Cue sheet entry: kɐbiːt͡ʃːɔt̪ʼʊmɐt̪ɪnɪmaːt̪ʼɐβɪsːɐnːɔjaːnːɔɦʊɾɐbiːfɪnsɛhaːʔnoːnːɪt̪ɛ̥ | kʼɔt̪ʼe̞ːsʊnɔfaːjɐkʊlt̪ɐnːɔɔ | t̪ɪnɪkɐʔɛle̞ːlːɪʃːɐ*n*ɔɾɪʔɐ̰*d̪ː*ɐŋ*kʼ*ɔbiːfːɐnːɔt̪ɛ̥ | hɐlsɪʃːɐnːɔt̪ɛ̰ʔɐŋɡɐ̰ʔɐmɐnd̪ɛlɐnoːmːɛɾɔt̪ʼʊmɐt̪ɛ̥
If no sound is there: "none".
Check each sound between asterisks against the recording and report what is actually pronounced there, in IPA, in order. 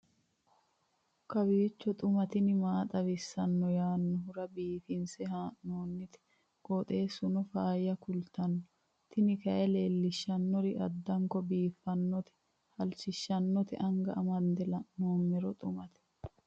nː, d̪ː, k

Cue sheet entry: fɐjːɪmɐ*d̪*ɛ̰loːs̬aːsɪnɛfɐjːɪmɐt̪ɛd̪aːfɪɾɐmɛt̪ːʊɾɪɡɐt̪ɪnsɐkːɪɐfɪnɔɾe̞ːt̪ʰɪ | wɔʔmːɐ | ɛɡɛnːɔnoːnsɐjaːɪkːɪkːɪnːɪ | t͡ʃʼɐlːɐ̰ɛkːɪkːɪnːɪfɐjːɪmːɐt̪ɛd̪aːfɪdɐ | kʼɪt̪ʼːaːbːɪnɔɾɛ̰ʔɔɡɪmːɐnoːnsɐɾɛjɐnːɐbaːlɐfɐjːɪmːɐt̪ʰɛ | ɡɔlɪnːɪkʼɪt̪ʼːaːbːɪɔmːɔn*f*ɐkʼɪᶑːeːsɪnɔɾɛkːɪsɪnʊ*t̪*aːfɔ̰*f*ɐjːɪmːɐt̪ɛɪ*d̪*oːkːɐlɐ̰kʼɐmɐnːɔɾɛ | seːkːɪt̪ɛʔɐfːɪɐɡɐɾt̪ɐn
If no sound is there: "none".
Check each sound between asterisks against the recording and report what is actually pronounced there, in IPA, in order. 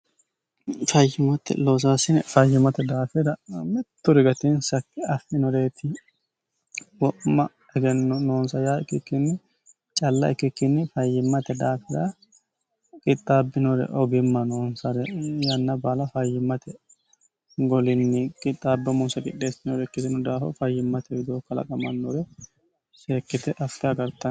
t̪, s, d̪, f, d̪

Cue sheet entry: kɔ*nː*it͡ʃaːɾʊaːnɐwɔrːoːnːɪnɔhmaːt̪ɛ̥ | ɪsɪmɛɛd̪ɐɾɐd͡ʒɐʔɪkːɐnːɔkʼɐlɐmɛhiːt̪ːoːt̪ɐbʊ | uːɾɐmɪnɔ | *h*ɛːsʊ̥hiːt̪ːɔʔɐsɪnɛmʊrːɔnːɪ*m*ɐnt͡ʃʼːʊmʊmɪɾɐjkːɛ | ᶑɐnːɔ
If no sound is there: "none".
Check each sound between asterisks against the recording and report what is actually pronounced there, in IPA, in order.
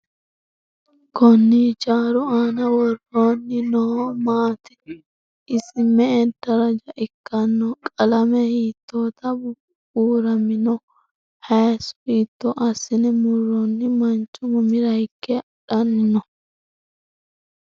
nː, h, m

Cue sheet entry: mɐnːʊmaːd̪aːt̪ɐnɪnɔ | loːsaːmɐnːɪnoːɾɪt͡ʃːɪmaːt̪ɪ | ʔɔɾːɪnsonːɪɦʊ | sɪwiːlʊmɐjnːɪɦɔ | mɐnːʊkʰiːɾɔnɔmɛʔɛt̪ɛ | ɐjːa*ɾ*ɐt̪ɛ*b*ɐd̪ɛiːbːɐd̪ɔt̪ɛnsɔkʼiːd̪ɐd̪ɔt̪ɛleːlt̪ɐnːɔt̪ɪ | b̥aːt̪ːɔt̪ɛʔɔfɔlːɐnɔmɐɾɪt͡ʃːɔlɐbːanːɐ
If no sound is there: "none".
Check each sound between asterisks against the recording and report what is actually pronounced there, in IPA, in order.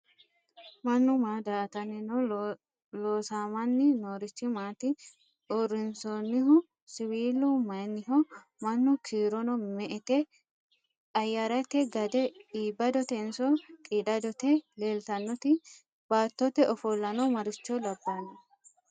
ɾ, ɡ

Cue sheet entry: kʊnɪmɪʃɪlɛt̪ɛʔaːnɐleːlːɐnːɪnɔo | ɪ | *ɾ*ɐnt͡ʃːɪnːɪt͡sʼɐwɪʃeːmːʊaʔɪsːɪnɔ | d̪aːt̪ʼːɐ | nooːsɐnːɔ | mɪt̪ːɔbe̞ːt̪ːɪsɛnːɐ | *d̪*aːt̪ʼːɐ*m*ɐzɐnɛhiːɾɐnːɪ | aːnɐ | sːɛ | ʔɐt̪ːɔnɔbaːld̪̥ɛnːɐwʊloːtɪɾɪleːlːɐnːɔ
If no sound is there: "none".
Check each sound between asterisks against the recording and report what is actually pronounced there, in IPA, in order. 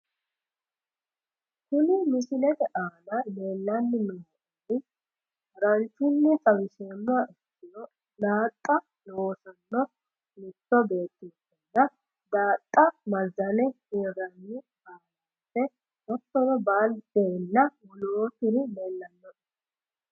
ɾ, d̪, m

